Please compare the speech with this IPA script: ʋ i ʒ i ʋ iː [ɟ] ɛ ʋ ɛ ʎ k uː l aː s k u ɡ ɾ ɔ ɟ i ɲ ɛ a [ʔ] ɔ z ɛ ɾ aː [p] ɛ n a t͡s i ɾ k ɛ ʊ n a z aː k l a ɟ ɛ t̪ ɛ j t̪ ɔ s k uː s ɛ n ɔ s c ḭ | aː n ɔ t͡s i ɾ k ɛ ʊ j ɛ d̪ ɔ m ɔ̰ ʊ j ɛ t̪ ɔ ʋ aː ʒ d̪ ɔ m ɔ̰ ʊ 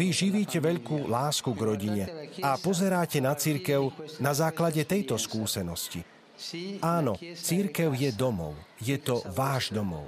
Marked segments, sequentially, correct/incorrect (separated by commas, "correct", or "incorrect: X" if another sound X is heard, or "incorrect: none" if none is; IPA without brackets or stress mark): incorrect: c, incorrect: p, incorrect: c